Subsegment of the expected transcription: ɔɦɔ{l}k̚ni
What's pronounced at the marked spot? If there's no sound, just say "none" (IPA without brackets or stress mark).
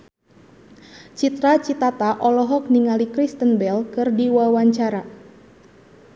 none